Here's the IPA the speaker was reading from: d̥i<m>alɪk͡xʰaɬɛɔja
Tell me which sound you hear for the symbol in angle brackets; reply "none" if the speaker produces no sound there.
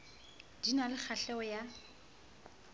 n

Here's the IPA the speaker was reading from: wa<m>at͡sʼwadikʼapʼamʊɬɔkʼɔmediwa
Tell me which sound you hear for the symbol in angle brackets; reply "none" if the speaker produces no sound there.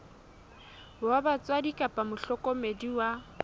b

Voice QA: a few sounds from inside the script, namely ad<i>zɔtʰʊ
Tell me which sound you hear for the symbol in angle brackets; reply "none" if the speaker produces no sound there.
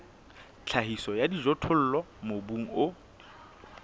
i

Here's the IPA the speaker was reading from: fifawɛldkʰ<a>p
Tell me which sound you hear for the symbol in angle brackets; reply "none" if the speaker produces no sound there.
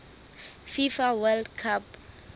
a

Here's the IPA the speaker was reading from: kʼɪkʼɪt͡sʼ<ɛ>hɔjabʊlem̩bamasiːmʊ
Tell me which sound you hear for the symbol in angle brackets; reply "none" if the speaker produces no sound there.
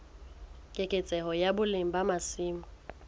ɛ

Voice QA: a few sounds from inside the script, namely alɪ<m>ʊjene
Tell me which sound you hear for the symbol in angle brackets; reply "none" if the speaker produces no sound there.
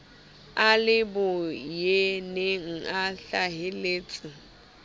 b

